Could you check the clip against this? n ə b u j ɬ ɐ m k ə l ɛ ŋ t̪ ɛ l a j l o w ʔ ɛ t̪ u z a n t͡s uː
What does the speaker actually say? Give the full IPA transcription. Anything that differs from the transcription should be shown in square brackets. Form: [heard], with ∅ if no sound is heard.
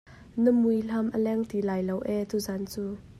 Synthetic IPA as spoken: n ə [m] u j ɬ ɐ m [ʔ] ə l ɛ ŋ t̪ [i] l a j l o w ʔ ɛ t̪ u z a n t͡s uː